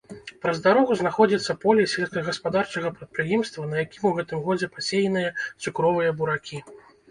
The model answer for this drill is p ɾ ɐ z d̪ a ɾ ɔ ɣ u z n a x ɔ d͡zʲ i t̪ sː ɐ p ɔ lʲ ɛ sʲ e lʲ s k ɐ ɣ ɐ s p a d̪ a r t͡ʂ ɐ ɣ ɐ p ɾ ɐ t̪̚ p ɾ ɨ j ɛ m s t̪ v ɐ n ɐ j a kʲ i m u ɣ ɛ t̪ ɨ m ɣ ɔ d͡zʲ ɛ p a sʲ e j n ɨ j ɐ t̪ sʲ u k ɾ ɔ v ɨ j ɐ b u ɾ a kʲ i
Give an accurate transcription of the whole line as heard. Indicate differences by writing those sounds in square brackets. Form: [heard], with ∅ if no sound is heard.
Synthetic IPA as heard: p ɾ ɐ z d̪ a ɾ ɔ ɣ u z n a x ɔ d͡zʲ i t̪ sː ɐ p ɔ lʲ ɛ sʲ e lʲ s k ɐ ɣ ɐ s p a d̪ a r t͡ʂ ɐ ɣ ɐ p ɾ ɐ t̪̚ p ɾ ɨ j ɛ m s t̪ v ɐ n ɐ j a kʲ i m u ɣ ɛ t̪ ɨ m ɣ ɔ d͡zʲ ɛ p a sʲ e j n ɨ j ɐ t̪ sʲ u k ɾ ɔ v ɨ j ɐ b u ɾ a kʲ i